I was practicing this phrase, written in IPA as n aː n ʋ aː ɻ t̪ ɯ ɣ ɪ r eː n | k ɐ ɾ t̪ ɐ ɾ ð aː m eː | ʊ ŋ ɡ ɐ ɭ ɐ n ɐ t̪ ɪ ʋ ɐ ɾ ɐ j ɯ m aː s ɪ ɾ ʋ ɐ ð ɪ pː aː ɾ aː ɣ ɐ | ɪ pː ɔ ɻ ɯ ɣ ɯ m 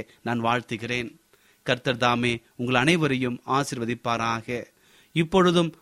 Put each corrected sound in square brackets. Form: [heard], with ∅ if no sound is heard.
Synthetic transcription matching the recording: n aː n ʋ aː ɻ t̪ ɯ ɣ ɪ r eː n | k ɐ ɾ t̪ ɐ ɾ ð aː m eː | ʊ ŋ ɡ ɐ ɭ ɐ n ɐ [∅] ɪ ʋ ɐ ɾ ɐ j ɯ m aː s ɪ ɾ ʋ ɐ ð ɪ pː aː ɾ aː ɣ ɐ | ɪ pː ɔ ɻ ɯ [ð] ɯ m